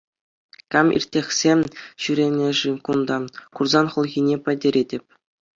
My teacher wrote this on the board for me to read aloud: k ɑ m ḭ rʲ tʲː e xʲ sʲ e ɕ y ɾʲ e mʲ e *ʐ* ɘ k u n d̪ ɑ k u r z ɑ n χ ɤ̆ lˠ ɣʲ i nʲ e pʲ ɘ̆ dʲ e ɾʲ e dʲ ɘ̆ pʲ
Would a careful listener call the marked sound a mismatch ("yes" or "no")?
no